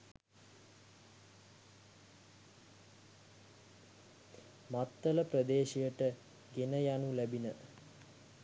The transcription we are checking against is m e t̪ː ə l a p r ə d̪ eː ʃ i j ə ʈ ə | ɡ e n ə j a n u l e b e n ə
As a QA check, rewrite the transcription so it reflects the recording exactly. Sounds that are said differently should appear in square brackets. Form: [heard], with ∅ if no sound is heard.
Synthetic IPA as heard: m [a] t̪ː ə l [ə] p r ə d̪ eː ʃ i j ə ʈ ə | ɡ e n ə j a n u l [æ] b [i] n ə